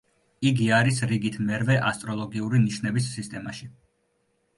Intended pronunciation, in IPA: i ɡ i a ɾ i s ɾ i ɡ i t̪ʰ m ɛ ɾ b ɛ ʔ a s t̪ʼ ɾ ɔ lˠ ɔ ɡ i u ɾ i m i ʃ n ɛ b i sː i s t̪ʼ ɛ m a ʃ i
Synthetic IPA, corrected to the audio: i ɡ i a ɾ i s ɾ i ɡ i t̪ʰ m ɛ ɾ v ɛ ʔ a s t̪ʼ ɾ ɔ lˠ ɔ ɡ i u ɾ i n i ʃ n ɛ b i sː i s t̪ʼ ɛ m a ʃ i